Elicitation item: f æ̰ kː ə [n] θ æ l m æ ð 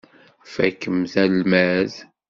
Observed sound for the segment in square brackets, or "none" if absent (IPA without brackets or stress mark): m